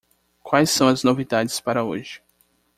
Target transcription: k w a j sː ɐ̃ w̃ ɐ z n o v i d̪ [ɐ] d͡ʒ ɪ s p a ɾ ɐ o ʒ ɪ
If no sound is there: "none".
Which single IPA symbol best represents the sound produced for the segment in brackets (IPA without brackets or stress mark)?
a